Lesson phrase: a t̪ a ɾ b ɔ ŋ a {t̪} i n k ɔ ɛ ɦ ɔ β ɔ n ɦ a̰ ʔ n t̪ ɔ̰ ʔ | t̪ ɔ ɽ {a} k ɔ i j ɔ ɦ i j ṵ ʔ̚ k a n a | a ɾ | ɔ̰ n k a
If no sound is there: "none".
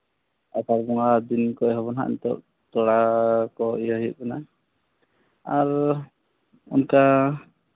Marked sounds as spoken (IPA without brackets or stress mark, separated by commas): d̪, a